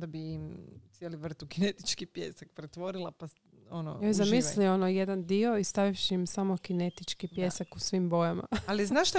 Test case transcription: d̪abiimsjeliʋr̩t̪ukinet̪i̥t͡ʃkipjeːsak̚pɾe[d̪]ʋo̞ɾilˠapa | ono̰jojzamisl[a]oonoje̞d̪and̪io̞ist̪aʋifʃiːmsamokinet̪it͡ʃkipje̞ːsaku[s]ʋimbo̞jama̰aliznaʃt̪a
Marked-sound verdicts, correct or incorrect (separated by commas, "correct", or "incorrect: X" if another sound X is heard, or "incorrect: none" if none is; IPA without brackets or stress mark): incorrect: t̪, incorrect: i, correct